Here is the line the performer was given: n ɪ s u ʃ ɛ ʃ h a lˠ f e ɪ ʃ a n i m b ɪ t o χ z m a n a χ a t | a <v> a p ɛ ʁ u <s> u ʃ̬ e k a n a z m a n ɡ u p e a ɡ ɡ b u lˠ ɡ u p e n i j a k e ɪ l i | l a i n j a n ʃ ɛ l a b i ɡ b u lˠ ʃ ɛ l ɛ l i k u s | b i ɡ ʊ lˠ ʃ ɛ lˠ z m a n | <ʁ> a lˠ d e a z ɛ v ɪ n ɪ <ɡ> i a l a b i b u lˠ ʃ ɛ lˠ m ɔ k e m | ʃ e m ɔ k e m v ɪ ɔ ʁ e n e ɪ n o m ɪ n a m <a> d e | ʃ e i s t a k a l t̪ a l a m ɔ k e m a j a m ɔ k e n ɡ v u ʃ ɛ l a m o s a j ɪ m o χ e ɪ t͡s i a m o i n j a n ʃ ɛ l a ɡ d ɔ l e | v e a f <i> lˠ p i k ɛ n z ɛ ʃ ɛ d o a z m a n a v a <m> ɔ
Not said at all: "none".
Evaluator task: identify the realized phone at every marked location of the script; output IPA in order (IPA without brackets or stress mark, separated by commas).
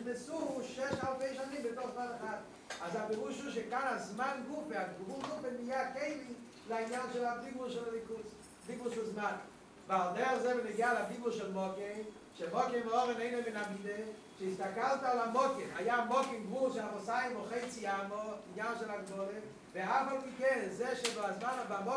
z, ʃ, v, ɡ, i, a, m